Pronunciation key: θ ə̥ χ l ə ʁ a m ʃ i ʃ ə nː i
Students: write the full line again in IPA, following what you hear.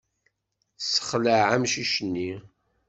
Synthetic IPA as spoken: s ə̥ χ l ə ʕ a m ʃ i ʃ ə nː i